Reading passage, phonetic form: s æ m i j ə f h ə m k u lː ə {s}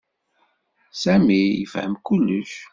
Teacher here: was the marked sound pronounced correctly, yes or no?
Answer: no